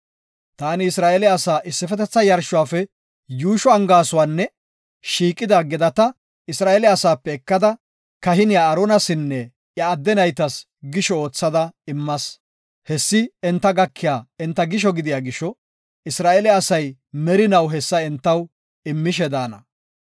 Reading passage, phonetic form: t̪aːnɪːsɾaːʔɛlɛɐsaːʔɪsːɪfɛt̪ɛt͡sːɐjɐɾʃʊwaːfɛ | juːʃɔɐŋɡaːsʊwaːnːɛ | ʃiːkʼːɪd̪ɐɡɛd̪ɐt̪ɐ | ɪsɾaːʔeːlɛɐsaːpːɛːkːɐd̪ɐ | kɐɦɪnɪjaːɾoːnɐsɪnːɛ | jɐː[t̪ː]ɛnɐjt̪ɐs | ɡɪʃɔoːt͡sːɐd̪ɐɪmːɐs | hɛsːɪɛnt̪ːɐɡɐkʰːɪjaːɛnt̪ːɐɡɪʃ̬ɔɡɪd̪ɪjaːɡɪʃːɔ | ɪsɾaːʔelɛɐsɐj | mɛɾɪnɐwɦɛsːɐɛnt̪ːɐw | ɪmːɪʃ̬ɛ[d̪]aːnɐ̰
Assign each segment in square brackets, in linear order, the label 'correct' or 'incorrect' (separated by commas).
incorrect, correct